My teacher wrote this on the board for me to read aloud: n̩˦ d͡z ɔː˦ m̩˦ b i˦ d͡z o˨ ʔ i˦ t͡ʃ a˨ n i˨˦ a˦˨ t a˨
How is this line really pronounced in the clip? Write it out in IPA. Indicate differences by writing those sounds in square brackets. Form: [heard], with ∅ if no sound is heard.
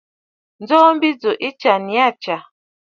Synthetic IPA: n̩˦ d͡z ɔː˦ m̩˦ b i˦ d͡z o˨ ʔ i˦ t͡ʃ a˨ n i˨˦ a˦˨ [t͡ʃ] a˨